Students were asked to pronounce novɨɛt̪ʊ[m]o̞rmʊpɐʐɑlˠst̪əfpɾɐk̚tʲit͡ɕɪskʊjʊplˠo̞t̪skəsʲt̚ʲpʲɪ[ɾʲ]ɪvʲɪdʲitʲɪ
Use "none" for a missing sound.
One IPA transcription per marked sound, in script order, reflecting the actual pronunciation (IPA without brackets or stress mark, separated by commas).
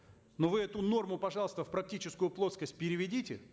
n, ɾʲ